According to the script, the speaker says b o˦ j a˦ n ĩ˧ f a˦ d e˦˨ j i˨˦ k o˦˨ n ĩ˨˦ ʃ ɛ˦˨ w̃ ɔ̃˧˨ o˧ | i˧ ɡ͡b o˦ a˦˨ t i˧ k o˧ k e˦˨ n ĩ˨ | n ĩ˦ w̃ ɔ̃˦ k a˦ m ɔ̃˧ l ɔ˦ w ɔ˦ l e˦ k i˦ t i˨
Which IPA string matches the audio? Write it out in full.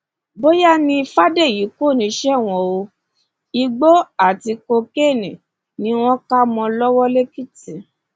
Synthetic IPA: b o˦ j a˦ n ĩ˧ f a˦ d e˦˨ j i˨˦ k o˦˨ n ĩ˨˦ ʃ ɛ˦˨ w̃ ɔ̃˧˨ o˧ | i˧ ɡ͡b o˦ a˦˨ t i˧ k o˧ k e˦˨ n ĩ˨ | n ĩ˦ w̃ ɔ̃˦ k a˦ m ɔ̃˧ l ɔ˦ w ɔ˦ l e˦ k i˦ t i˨